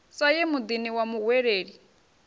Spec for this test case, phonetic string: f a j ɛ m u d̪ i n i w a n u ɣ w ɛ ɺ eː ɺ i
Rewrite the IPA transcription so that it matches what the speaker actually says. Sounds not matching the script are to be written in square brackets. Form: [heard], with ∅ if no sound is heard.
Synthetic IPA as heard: [s] a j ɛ m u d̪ i n i w a [m] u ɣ w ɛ ɺ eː ɺ i